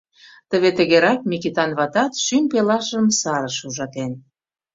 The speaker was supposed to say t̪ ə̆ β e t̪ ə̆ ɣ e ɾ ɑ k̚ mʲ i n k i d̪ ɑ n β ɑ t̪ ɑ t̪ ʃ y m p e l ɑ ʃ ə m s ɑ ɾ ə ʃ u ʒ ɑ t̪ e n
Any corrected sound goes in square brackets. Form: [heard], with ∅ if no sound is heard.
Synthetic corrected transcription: t̪ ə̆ β e t̪ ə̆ ɣ e ɾ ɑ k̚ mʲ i [∅] k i [t̪] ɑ n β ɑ t̪ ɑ t̪ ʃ y m p e l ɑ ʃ ə m s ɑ ɾ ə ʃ u ʒ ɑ t̪ e n